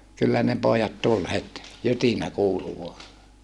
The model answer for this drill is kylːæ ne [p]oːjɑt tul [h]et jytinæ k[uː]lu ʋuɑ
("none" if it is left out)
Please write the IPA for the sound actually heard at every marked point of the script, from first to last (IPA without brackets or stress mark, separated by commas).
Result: p, h, uː